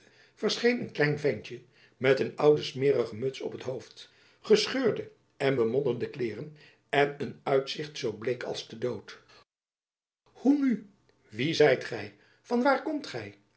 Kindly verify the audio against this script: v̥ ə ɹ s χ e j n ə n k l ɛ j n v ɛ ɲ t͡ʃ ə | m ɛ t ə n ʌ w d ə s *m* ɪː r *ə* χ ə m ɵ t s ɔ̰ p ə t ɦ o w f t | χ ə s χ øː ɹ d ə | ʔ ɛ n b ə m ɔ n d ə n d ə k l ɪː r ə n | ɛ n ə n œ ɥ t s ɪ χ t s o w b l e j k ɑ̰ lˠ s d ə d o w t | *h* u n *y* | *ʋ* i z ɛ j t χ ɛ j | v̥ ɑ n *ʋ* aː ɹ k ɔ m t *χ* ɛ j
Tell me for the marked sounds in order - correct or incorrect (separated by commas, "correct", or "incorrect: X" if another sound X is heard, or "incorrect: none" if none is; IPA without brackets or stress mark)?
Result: correct, correct, correct, correct, correct, correct, correct